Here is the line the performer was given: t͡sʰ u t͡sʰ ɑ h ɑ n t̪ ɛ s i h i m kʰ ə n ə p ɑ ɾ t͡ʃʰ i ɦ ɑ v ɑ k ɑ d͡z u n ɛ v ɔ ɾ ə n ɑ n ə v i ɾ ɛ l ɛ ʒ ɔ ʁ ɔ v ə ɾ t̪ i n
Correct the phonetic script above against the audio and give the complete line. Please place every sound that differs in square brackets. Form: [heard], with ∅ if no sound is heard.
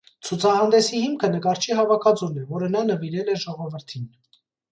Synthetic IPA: t͡sʰ u t͡sʰ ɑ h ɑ n [d̪] ɛ s i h i m kʰ ə n ə [k] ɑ ɾ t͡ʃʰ i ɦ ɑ v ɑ [kʰ] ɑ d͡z u n ɛ v ɔ ɾ ə n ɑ n ə v i ɾ ɛ l ɛ ʒ ɔ ʁ ɔ v ə ɾ [t̪ʰ] i n